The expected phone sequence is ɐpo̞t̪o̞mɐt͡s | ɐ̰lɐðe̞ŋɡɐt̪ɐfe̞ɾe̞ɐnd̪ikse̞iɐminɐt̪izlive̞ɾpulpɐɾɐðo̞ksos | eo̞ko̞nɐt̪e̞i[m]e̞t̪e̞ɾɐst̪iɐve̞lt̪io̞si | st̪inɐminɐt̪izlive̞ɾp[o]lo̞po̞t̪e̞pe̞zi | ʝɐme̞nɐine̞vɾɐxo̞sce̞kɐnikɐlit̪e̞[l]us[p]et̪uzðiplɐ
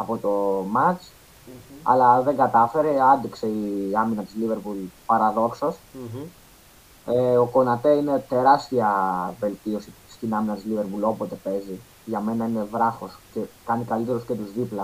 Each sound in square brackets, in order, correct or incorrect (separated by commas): incorrect, incorrect, incorrect, incorrect